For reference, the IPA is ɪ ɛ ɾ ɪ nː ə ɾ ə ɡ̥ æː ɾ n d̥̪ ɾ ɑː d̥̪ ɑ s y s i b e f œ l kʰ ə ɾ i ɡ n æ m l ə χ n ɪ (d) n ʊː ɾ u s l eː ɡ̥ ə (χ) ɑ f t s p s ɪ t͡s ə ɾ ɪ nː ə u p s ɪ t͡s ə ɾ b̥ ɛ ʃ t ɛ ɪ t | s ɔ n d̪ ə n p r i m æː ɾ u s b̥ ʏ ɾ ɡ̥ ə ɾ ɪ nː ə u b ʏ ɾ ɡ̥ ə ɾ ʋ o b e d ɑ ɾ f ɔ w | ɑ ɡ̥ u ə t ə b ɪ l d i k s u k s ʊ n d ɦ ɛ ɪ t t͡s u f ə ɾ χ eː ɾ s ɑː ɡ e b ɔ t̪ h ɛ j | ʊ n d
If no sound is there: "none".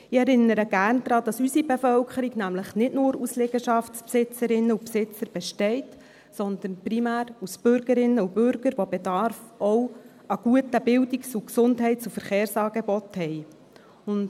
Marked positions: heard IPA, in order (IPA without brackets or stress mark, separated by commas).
t, ʃ